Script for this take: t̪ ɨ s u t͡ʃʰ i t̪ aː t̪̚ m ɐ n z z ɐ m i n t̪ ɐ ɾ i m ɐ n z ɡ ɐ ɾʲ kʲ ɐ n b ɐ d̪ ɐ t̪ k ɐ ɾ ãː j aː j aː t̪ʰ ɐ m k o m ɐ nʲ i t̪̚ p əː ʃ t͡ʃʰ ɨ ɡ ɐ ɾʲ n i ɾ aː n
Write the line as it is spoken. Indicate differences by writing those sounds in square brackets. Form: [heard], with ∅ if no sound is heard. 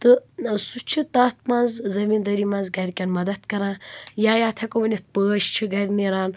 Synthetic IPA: t̪ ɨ s u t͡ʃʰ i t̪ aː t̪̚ m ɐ n z z ɐ m i n [d̪] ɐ ɾ i m ɐ n z ɡ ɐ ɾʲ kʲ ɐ n [m] ɐ d̪ ɐ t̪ k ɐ ɾ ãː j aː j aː t̪ʰ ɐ [∅] k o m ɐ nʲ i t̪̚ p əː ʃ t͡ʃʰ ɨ ɡ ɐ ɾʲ n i ɾ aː n